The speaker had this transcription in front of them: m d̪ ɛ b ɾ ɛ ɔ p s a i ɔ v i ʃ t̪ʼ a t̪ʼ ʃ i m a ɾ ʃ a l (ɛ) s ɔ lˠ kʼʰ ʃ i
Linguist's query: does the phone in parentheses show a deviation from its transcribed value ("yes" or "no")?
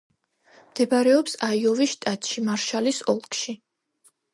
yes